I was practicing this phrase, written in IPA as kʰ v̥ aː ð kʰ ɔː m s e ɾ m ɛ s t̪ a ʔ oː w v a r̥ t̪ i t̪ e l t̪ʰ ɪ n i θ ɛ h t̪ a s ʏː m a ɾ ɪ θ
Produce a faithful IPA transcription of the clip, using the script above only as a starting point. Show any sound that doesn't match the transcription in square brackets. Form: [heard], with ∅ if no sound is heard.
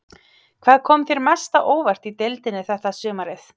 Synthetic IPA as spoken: kʰ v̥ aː ð kʰ ɔː m [θ] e ɾ m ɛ s t̪ a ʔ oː w v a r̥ t̪ i t̪ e l [t̪] ɪ n [ɪ] θ ɛ h t̪ a s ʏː m a ɾ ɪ θ